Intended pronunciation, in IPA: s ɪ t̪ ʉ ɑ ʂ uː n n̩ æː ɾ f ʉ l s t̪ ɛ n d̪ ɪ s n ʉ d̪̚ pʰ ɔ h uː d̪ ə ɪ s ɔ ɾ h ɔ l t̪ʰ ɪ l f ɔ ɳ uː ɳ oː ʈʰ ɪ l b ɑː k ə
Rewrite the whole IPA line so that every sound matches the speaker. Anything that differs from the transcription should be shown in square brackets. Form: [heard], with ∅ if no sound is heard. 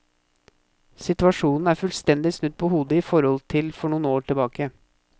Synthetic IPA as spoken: s ɪ t̪ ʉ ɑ ʂ uː n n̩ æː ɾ f ʉ l s t̪ ɛ n d̪ ɪ s n ʉ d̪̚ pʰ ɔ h uː d̪ ə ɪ [f] ɔ ɾ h ɔ l t̪ʰ ɪ l f ɔ ɳ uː [n] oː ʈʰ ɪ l b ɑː k ə